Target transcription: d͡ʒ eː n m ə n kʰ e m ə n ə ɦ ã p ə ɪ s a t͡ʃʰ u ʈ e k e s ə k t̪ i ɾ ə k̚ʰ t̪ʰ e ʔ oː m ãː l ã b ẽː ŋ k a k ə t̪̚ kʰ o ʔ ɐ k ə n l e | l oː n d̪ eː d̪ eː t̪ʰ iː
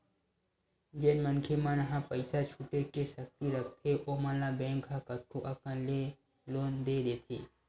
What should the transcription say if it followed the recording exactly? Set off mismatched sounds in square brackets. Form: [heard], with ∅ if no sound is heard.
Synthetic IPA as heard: d͡ʒ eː n m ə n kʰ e m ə n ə ɦ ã p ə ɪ s a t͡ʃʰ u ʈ e k e s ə k t̪ i ɾ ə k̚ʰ t̪ʰ e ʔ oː m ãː l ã b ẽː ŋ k a k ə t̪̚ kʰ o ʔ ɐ k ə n l e | l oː n d̪ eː d̪ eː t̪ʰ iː